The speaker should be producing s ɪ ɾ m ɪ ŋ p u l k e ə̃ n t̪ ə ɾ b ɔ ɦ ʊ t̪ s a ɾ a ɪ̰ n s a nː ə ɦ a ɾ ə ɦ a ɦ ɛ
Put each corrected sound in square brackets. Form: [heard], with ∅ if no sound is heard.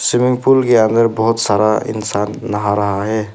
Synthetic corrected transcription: s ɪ [∅] m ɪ ŋ p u l k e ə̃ n [d̪] ə ɾ b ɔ ɦ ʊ t̪ s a ɾ a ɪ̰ n s a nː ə ɦ a ɾ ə ɦ a ɦ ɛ